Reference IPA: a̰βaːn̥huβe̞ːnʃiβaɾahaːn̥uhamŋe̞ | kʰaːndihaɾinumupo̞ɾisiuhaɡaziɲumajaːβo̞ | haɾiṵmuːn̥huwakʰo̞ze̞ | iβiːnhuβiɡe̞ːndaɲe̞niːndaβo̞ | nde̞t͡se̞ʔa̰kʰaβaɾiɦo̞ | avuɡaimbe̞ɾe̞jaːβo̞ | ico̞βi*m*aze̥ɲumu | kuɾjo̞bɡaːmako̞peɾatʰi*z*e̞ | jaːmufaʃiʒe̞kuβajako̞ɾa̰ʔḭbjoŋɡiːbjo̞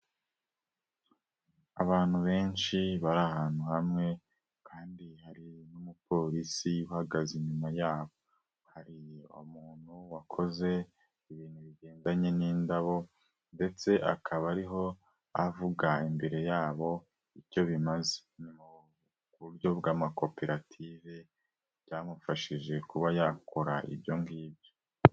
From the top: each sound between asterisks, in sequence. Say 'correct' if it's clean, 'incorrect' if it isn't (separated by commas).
correct, incorrect